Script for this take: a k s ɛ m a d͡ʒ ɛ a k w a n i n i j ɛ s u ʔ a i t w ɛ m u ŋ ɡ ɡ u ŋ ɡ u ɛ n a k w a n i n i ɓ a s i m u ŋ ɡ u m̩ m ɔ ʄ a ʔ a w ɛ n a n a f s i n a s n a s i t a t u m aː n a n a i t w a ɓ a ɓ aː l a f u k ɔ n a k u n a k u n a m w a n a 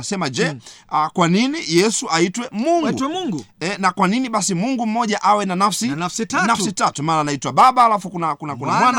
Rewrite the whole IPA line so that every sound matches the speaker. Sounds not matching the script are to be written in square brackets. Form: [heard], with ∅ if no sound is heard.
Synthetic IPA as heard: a [∅] s ɛ m a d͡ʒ ɛ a k w a n i n i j ɛ s u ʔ a i t w ɛ m u ŋ ɡ ɡ u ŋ ɡ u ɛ n a k w a n i n i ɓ a s i m u ŋ ɡ u m̩ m ɔ ʄ a ʔ a w ɛ n a n a f s i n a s n a s i t a t u m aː n a n a i t w a ɓ a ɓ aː l a f u k [u] n a k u n a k u n a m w a n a